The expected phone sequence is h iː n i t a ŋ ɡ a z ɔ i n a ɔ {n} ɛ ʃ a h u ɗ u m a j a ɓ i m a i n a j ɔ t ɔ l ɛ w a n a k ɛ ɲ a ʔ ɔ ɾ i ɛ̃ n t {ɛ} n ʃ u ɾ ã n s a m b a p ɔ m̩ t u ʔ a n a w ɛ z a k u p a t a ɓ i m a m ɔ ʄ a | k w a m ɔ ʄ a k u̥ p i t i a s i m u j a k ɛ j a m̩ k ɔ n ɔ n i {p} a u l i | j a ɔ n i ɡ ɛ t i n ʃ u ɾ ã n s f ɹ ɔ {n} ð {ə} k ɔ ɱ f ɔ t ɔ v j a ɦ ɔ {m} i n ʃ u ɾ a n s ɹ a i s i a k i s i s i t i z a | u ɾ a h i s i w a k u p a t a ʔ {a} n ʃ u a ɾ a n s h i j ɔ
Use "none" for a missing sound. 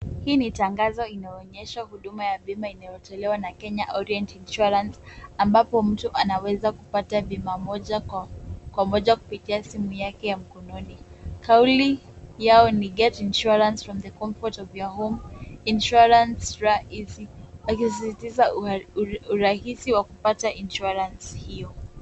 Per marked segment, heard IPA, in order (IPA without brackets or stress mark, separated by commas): ɲ, i, k, m, ə, m, i